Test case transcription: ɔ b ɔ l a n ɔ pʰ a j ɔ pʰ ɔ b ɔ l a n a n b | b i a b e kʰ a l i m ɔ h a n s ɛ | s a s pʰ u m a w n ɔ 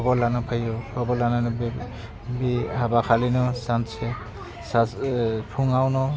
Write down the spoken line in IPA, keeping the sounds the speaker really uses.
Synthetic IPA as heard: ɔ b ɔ l a n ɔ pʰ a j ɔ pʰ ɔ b ɔ l a n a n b | b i a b a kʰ a l i n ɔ s a n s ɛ | s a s pʰ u ŋ a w n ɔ